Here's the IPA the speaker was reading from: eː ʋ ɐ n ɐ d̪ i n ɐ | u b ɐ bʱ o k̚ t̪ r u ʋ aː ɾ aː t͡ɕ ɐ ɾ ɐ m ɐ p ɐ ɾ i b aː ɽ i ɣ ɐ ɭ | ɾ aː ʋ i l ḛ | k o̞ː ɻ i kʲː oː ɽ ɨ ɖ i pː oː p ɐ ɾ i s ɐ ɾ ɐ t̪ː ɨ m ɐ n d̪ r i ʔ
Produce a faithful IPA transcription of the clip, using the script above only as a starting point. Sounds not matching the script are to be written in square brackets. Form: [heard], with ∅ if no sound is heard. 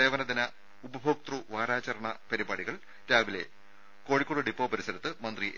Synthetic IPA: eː ʋ ɐ n ɐ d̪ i n ɐ | u b ɐ bʱ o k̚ t̪ r u ʋ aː ɾ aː t͡ɕ ɐ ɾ ɐ [ɳ] ɐ p ɐ ɾ i b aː ɽ i ɣ ɐ ɭ | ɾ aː ʋ i l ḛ | k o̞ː ɻ i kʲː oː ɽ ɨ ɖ i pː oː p ɐ ɾ i s ɐ ɾ ɐ t̪ː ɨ m ɐ n d̪ r i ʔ